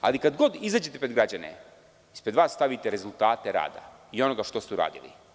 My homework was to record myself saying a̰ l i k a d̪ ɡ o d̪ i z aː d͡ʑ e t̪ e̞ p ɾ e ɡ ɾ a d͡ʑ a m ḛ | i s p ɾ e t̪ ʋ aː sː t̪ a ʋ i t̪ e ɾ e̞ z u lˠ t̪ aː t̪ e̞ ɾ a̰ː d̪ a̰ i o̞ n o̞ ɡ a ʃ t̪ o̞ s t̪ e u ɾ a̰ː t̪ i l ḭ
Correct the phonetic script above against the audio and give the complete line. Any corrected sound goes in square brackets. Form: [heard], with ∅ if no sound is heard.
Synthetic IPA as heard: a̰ l i k a d̪ ɡ o d̪ i z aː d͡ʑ e t̪ e̞ p ɾ e ɡ ɾ a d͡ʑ a [n] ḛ | i s p ɾ e [d̪] ʋ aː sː t̪ a ʋ i t̪ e ɾ e̞ z u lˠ t̪ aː t̪ e̞ ɾ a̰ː d̪ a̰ i o̞ n o̞ ɡ a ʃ t̪ o̞ s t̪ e u ɾ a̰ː [d̪] i l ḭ